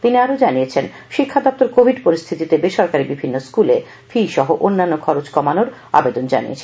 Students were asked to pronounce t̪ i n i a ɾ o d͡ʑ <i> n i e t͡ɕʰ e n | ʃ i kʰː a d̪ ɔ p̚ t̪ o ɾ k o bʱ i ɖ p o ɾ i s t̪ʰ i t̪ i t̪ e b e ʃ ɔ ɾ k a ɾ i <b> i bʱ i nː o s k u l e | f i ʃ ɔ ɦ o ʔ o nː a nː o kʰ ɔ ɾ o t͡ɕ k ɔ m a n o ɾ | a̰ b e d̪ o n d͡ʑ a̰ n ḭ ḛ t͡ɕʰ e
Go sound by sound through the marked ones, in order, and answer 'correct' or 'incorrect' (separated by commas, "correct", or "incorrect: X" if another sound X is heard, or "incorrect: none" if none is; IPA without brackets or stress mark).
incorrect: a, correct